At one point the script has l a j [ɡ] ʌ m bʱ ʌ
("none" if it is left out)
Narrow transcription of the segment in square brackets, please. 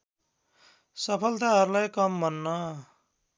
k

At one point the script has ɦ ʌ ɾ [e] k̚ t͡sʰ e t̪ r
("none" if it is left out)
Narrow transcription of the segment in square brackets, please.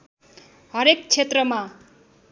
e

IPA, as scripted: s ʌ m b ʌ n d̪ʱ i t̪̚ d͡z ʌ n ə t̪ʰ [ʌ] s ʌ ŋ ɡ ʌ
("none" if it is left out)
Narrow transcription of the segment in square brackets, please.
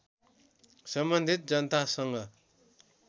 a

